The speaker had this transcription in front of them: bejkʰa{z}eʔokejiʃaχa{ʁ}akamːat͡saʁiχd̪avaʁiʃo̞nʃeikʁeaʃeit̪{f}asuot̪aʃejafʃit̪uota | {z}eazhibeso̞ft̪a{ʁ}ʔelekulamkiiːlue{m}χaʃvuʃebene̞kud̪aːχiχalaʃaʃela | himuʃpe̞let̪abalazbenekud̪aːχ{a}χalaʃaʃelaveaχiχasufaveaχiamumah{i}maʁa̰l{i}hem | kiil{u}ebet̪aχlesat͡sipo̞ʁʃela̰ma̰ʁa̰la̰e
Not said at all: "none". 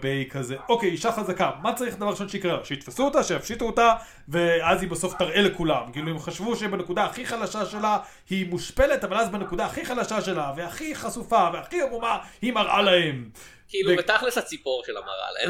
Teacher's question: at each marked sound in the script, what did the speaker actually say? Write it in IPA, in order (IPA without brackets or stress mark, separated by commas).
z, z, f, v, ʁ, m, i, i, a, u